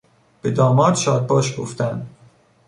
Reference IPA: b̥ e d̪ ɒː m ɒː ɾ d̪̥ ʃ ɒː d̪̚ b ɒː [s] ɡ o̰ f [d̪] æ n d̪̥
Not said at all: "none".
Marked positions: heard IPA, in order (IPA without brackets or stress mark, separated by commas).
ʃ, t̪